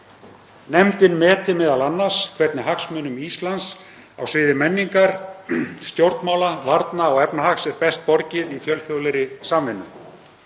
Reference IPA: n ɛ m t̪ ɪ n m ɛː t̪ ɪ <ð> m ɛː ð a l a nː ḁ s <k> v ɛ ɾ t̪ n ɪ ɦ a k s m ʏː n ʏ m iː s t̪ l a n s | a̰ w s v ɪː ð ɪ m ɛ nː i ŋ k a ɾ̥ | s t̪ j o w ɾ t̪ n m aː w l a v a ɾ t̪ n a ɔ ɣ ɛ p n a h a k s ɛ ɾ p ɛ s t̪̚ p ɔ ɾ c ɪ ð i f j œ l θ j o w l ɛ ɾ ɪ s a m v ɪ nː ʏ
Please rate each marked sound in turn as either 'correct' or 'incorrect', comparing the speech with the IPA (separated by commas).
incorrect, incorrect